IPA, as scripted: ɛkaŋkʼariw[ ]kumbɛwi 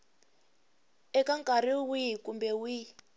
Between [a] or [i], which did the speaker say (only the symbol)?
i